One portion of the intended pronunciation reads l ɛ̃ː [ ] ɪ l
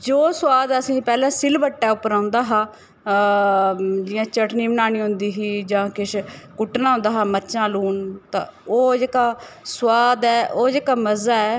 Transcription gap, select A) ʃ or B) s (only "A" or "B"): B